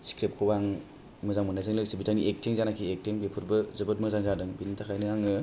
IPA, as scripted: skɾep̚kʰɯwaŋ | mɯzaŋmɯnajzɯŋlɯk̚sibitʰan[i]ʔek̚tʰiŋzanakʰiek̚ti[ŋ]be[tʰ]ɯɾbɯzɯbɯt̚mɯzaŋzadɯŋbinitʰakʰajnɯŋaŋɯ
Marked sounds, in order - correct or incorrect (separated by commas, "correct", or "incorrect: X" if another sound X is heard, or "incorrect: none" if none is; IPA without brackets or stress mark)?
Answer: correct, correct, incorrect: pʰ